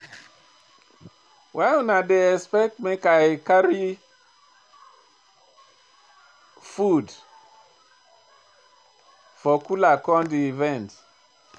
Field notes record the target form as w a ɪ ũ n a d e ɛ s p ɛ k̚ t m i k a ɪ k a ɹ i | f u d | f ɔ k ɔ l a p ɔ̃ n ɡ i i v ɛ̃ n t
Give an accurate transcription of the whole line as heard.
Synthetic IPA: w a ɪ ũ n a d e ɛ s p ɛ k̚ t m e k a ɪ k a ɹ i | f u d | f ɔ k u l a k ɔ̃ n d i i v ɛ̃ n t

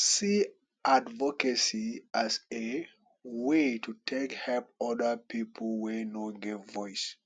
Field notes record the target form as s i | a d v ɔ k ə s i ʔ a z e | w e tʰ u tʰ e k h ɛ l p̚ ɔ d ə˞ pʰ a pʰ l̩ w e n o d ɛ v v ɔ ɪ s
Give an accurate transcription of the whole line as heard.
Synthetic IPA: s i | a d v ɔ k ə s i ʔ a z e | w e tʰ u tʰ e k h ɛ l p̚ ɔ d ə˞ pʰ i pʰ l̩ w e n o ɡ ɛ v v ɔ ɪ s

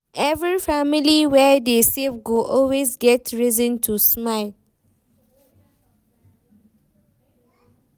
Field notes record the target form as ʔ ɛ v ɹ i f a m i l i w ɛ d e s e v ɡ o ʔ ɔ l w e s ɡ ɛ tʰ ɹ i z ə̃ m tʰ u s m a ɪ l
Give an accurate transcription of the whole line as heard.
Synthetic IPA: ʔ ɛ v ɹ i f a m i l i w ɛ d e s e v ɡ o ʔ ɔ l w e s ɡ ɛ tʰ ɹ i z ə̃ n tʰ u s m a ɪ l

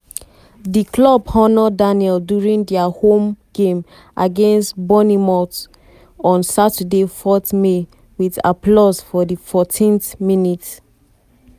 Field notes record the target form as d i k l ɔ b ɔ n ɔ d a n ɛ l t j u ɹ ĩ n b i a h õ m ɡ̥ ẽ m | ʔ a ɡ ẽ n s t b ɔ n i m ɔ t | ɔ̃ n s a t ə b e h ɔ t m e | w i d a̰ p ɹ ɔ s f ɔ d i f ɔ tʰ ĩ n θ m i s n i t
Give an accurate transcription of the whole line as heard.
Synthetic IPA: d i k l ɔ b ɔ n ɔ d a n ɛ l d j u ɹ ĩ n d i a h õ m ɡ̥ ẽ m | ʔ a ɡ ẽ n s t b ɔ n i m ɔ t | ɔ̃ n s a t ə d e f ɔ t m e | w i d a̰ p l ɔ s f ɔ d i f ɔ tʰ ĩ n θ m i n i t

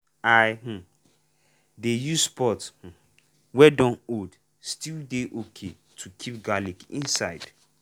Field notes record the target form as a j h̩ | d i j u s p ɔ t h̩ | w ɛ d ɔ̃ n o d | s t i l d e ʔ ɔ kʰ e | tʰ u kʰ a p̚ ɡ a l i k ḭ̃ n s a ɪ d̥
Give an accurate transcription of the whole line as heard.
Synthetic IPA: a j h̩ | d e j u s p ɔ t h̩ | w ɛ d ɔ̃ n o d | s t i l d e ʔ o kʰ e | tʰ u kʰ i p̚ ɡ a l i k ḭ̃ n s a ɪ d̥

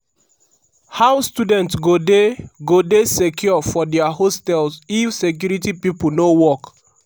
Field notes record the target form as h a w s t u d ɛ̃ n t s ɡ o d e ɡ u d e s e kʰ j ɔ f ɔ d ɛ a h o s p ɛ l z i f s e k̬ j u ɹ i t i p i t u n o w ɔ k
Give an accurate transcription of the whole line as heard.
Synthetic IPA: h a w s t u d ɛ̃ n t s ɡ o d e ɡ o d e s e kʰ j ɔ f ɔ d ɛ a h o s t ɛ l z i f s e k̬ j u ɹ i t i p i p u n o w ɔ k

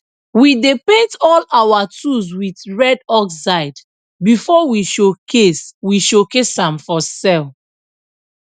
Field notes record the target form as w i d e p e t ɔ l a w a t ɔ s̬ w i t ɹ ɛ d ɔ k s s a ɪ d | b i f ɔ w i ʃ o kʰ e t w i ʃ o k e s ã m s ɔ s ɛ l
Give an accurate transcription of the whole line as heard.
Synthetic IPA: w i d e p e t ɔ l a w a t u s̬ w i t ɹ ɛ d ɔ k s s a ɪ d | b i f ɔ w i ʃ o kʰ e s w i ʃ o k e s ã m f ɔ s ɛ l

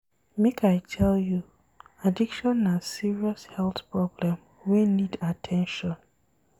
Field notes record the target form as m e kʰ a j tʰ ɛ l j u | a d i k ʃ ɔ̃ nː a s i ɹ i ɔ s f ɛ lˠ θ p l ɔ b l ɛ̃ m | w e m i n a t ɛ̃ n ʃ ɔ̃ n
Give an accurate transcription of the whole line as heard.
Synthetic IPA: m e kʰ a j tʰ ɛ l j u | a d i k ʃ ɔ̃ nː a s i ɹ i ɔ s h ɛ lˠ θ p ɹ ɔ b l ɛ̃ m | w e n i d a tʰ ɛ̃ n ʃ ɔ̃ n

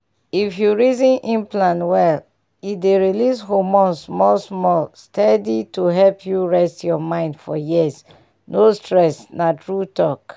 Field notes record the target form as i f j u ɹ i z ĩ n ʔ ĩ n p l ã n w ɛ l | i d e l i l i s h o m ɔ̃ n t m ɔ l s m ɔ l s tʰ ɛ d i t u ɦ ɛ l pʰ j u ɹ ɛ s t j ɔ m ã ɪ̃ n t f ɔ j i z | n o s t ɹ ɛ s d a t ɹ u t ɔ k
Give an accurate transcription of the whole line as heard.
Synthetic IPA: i f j u ɹ i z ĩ n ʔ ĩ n p l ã n w ɛ l | i d e ɹ i l i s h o m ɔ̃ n s m ɔ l s m ɔ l s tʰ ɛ d i t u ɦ ɛ l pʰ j u ɹ ɛ s t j ɔ m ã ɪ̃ n d f ɔ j i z | n o s t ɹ ɛ s n a t ɹ u t ɔ k

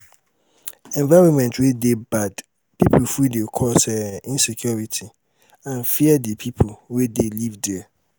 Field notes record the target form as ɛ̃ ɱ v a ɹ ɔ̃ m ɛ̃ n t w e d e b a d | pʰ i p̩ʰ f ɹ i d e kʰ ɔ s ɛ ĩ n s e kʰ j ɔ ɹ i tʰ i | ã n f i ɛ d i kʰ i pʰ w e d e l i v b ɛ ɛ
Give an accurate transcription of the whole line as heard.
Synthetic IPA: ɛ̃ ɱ v a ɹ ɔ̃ m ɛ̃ n t w e d e b a d | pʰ i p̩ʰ f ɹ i d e kʰ ɔ s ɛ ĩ n s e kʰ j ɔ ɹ i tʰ i | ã n f i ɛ d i pʰ i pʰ w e d e l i v d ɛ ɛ

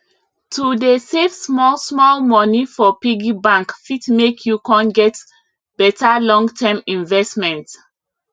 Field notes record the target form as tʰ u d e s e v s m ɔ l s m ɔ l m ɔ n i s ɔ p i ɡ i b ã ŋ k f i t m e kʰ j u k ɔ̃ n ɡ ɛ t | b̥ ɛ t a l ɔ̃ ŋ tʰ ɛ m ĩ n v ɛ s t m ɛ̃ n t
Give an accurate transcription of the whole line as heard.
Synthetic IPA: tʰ u d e s e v s m ɔ l s m ɔ l m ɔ n i f ɔ p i ɡ i b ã ŋ k f i t m e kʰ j u k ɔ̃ n ɡ ɛ t | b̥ ɛ t a l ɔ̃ ŋ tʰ ɛ m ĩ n v ɛ s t m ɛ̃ n t

